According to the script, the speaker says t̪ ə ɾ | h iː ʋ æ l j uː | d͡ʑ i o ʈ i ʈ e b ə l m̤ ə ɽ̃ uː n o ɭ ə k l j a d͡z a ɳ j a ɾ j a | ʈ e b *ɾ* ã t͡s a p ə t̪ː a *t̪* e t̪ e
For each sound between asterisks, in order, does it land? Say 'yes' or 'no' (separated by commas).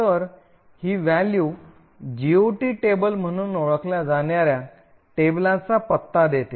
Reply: no, no